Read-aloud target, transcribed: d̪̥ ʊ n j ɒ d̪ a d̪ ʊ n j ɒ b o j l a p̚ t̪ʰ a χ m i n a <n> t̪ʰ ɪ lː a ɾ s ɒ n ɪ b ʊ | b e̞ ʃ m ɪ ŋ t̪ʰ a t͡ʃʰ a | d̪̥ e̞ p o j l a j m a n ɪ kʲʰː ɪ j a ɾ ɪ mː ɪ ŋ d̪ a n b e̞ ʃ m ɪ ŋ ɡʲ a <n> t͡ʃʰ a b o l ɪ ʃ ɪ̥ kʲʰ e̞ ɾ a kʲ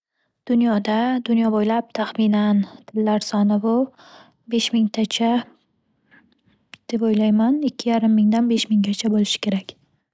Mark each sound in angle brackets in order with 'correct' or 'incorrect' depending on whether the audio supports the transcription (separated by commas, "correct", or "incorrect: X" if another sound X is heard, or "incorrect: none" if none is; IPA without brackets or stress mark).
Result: correct, incorrect: none